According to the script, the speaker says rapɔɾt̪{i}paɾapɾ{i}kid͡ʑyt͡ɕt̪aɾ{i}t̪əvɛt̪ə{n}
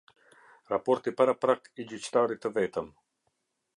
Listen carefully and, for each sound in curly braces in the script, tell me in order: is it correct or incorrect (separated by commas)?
correct, incorrect, correct, incorrect